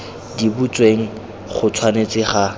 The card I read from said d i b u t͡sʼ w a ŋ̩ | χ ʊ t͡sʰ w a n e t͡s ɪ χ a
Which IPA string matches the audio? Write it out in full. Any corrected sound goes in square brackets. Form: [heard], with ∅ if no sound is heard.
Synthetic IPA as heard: d i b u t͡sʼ w [e] ŋ̩ | χ ʊ t͡sʰ w a n e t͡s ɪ χ a